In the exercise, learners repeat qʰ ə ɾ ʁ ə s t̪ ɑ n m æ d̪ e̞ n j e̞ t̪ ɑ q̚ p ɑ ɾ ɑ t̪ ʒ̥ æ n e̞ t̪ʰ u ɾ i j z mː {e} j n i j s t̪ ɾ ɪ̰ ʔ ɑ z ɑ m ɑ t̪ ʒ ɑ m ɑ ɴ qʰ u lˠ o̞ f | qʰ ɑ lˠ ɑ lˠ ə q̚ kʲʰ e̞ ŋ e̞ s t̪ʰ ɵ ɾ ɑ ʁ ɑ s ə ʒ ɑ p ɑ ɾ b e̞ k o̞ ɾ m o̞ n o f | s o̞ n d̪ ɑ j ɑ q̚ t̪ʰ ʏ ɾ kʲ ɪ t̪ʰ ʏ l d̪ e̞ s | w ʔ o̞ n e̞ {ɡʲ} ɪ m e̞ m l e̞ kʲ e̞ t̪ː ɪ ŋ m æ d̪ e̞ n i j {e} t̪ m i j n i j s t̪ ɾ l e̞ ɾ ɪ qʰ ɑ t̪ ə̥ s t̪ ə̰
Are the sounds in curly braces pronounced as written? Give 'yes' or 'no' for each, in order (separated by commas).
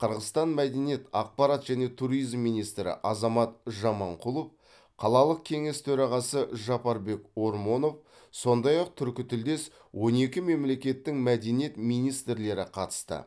no, no, yes